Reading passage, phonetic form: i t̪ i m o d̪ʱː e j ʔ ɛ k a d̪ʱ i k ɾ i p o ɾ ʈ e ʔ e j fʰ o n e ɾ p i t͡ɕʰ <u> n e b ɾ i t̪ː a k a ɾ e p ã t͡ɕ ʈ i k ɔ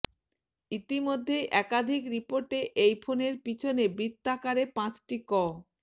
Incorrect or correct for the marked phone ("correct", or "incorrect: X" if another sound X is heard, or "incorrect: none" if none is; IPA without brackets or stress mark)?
incorrect: o